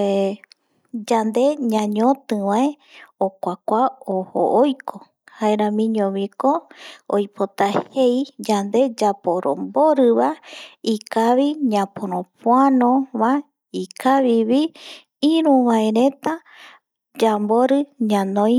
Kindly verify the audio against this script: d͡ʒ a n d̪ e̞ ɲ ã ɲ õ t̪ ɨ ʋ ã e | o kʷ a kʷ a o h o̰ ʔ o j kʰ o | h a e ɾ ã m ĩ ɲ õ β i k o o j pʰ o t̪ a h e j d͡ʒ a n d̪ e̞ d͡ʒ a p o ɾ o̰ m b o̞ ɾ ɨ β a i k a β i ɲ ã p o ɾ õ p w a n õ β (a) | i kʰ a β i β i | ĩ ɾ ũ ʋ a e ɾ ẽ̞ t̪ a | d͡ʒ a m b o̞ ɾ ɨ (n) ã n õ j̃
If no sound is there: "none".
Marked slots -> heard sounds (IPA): a, ɲ

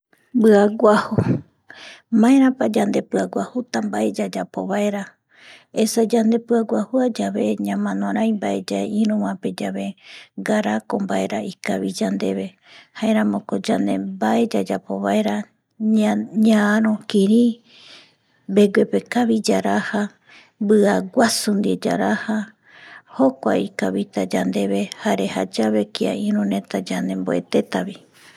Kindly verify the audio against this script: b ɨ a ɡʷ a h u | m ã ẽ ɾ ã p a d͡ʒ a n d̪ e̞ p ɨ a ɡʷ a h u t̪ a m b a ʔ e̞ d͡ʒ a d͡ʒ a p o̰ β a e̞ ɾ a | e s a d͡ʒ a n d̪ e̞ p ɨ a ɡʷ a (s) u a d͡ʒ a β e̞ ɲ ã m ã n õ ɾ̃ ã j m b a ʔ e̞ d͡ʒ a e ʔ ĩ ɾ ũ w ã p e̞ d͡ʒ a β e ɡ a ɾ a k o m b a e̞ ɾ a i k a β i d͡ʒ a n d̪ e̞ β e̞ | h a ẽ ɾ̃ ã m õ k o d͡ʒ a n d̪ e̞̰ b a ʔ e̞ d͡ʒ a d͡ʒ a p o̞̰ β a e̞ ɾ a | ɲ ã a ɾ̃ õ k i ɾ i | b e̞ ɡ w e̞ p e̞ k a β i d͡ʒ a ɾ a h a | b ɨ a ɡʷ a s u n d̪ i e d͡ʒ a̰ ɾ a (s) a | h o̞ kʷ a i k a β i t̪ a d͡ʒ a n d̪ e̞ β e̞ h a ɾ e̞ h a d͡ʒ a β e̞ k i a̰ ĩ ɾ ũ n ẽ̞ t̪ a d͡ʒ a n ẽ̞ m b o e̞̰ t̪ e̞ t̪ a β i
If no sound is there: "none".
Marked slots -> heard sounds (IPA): h, h

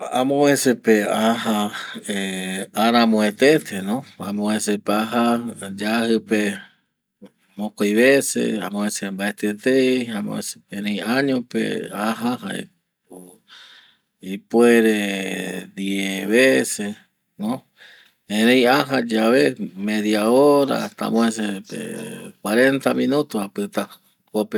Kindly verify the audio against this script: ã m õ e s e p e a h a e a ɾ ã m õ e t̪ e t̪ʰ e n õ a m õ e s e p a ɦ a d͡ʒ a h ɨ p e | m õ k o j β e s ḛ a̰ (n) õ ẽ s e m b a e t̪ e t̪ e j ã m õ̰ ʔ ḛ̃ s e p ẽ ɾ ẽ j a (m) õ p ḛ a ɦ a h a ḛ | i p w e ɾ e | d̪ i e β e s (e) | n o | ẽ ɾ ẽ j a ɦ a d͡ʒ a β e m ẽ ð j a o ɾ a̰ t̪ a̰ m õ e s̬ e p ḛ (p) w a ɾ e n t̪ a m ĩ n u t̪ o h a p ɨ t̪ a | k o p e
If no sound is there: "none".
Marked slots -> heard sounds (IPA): m, ɲ, e, k

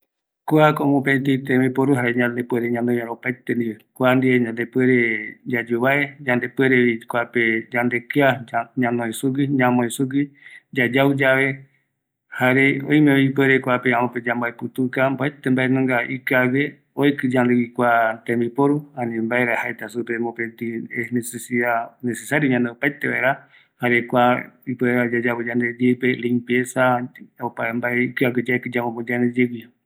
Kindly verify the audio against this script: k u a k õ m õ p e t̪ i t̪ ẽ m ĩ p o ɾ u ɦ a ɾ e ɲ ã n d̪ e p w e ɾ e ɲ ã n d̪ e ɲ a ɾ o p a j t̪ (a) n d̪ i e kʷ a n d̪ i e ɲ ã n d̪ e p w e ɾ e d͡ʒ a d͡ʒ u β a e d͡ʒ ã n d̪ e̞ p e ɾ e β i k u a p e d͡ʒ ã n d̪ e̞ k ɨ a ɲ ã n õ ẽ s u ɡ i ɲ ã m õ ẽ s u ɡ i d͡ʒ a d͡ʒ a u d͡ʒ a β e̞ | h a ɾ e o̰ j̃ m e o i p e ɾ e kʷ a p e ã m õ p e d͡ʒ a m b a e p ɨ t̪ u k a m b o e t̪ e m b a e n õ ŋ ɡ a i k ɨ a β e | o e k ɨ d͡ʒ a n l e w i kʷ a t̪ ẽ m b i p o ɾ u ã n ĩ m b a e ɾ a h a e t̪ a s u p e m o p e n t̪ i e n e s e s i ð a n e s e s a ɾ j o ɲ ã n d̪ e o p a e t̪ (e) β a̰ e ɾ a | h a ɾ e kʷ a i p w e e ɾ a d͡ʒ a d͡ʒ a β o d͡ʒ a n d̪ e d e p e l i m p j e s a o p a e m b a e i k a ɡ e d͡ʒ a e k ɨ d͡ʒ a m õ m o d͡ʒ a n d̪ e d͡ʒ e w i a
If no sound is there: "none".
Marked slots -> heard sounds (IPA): e, e

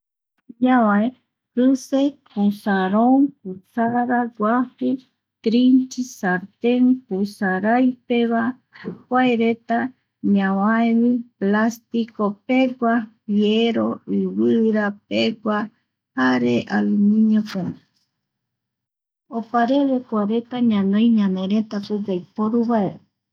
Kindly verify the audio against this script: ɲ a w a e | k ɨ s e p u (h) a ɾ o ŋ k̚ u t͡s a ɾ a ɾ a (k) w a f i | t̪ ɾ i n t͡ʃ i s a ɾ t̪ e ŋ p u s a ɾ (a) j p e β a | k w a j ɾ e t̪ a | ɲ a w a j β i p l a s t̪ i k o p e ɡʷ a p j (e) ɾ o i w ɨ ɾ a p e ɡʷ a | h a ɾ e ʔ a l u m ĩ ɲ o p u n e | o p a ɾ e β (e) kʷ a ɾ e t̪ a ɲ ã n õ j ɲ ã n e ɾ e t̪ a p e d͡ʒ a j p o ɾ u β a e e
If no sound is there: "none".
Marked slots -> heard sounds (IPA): s, ɡ, a, e, e

